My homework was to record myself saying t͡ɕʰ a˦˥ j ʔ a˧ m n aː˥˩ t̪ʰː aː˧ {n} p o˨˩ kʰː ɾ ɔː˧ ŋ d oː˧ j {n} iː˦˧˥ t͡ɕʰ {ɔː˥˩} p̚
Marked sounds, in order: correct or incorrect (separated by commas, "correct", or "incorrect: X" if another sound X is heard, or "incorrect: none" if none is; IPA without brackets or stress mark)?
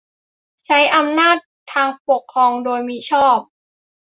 incorrect: ŋ, incorrect: m, correct